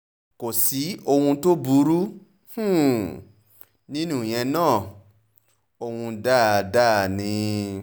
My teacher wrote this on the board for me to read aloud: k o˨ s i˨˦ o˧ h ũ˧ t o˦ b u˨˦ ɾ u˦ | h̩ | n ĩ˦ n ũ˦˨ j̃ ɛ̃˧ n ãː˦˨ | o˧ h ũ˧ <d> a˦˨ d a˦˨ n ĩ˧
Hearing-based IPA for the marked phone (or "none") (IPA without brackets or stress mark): d